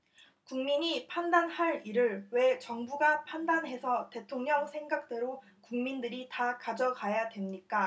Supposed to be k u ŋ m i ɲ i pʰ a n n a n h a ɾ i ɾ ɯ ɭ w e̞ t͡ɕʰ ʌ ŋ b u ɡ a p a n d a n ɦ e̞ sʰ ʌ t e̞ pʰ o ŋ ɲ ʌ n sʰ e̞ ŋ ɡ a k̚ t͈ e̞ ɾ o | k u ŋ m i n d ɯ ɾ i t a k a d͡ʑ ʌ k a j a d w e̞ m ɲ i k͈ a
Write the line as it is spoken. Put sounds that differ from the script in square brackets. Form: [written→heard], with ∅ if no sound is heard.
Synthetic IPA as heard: k u ŋ m i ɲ i pʰ a n [n→d] a n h a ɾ i ɾ ɯ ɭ w e̞ [t͡ɕʰ→t͡ɕ] ʌ ŋ b u ɡ a [p→pʰ] a n d a n ɦ e̞ sʰ ʌ t e̞ [pʰ→tʰ] o ŋ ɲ ʌ [n→ŋ] sʰ e̞ ŋ ɡ a k̚ t͈ e̞ ɾ o | k u ŋ m i n d ɯ ɾ i t a k a d͡ʑ ʌ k a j a d w e̞ m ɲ i k͈ a